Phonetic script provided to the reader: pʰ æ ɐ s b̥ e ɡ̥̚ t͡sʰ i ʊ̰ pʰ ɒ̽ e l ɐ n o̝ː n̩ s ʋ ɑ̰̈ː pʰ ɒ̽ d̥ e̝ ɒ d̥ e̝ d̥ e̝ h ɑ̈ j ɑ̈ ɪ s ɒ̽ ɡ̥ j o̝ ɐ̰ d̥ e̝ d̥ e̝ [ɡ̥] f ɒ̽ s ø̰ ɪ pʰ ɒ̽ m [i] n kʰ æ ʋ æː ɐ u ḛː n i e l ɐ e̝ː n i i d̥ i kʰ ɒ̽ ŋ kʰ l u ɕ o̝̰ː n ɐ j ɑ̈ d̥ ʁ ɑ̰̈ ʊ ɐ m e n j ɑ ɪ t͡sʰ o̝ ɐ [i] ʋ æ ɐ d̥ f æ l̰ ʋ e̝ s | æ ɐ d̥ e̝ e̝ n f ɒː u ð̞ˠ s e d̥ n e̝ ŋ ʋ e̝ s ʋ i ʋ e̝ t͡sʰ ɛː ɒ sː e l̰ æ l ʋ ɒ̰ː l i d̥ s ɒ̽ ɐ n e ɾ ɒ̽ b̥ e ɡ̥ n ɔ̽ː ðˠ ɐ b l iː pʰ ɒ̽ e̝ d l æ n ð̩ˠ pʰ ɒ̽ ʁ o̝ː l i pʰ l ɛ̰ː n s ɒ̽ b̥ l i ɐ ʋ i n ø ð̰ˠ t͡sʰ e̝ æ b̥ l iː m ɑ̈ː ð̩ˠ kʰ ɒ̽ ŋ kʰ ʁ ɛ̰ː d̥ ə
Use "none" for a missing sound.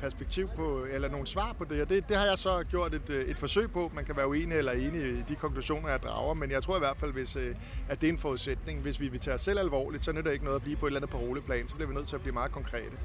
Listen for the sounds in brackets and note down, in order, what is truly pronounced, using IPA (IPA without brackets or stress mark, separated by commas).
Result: d̥, æ, i